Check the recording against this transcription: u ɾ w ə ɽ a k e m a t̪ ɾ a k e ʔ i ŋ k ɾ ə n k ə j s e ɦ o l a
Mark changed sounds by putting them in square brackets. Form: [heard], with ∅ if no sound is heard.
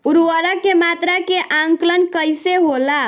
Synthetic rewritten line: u ɾ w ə [ɾ] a k e m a t̪ ɾ a k e ʔ [a] ŋ k [l] ə n k ə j s e ɦ o l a